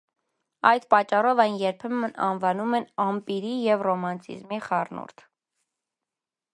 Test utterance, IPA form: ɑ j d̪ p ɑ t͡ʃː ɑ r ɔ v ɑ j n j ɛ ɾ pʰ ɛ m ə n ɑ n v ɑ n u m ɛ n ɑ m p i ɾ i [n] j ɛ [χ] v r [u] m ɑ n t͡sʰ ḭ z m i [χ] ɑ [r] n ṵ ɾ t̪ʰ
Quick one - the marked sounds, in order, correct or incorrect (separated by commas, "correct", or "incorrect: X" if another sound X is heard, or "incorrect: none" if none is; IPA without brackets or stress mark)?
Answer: incorrect: none, incorrect: none, incorrect: ɔ, correct, correct